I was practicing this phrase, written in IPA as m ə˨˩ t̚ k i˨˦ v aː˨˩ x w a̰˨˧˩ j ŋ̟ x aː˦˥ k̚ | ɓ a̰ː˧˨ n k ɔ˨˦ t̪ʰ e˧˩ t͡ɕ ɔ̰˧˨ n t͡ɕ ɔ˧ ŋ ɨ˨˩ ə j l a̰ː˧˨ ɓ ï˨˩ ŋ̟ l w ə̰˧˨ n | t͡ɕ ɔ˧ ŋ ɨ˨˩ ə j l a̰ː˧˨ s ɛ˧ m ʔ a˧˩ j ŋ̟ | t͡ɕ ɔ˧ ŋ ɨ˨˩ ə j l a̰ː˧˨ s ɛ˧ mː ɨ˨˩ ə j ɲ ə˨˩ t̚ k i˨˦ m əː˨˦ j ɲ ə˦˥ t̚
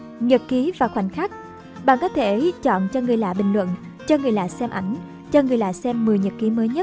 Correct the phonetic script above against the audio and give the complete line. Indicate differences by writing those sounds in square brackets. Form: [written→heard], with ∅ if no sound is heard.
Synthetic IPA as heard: [m→ɲ] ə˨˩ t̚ k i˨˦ v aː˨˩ x w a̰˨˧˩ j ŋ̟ x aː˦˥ k̚ | ɓ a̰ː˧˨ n k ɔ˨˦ t̪ʰ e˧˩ t͡ɕ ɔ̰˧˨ n t͡ɕ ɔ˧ ŋ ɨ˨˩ ə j l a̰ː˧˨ ɓ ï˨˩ ŋ̟ l w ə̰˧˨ n | t͡ɕ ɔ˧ ŋ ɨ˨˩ ə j l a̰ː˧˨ s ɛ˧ m ʔ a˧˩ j ŋ̟ | t͡ɕ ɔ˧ ŋ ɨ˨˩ ə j l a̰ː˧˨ s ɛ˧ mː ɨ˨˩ ə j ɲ ə˨˩ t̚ k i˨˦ m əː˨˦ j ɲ ə˦˥ t̚